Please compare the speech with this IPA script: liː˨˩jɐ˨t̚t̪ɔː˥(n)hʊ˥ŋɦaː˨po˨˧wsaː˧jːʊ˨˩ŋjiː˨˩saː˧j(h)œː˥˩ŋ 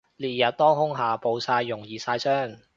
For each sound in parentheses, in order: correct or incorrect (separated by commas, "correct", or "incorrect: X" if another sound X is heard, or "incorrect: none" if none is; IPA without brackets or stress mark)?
incorrect: ŋ, incorrect: s